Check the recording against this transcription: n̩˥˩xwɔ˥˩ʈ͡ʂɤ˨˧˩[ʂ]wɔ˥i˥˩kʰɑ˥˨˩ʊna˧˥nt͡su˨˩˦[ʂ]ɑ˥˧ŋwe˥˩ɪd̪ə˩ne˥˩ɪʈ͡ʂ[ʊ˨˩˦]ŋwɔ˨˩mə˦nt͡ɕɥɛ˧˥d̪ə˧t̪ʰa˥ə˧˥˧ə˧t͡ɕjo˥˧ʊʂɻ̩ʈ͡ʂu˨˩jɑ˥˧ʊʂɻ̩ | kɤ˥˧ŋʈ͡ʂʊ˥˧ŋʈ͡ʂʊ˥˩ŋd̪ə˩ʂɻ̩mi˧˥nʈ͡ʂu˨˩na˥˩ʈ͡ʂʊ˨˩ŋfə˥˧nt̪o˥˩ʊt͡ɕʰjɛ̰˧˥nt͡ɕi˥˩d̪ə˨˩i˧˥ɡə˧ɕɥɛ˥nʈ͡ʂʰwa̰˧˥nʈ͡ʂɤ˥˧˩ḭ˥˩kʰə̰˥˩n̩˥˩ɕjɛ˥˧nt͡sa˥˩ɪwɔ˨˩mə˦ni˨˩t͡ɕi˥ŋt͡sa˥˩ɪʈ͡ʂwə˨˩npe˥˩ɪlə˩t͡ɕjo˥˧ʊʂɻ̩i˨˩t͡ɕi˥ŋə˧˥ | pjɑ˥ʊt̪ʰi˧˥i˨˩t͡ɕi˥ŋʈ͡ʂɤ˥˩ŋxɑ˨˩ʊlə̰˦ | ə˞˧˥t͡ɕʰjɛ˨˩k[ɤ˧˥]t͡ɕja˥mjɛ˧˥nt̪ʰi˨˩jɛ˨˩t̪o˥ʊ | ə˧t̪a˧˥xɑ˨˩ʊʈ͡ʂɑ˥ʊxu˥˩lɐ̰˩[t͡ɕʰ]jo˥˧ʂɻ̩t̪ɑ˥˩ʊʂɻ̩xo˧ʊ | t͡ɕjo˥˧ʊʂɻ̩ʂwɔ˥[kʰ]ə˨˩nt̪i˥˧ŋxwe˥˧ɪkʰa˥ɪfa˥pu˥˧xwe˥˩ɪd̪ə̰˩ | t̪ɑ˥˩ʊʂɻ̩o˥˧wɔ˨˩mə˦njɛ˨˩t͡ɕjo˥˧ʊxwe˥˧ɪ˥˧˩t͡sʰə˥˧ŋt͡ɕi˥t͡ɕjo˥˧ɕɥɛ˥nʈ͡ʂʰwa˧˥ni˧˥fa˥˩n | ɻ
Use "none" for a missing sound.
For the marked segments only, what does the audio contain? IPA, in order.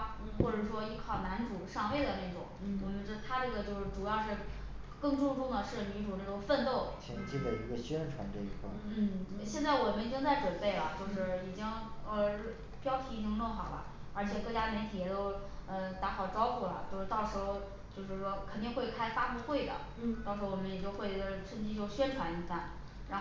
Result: ʂ, ʂ, ʊ˨˩˦, ɤ˥˧˩, t͡ɕ, kʰ

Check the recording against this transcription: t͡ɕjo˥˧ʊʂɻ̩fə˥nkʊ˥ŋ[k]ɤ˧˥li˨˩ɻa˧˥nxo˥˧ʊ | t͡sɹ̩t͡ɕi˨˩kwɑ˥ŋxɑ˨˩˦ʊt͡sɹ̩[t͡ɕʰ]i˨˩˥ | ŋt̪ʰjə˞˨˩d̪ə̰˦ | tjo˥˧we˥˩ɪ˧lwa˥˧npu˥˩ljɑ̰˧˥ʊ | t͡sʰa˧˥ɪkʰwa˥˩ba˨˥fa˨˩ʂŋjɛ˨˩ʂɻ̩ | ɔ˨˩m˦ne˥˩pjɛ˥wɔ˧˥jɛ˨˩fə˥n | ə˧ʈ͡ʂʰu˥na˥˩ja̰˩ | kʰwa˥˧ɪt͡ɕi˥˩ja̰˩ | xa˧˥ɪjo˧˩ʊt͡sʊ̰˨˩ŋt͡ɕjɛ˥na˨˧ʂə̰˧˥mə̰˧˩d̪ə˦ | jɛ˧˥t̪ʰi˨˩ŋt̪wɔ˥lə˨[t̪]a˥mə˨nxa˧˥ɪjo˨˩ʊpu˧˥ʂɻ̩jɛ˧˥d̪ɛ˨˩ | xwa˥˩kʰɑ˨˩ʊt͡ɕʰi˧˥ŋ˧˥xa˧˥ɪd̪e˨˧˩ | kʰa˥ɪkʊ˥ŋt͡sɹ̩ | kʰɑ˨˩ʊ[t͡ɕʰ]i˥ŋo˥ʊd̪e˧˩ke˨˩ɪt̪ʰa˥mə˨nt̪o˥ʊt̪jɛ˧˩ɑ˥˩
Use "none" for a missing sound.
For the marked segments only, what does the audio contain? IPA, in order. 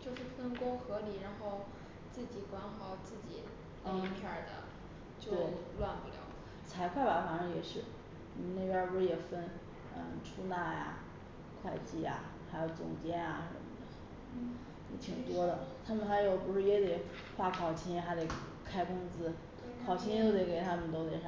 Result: x, t͡ɕ, t̪ʰ, t͡ɕʰ

